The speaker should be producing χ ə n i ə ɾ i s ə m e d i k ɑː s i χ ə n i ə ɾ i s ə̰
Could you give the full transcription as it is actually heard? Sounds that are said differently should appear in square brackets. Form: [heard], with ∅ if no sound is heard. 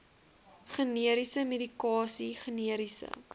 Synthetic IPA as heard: χ ə n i ə ɾ i s ə m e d i k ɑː s i χ ə n i ə ɾ i s ə̰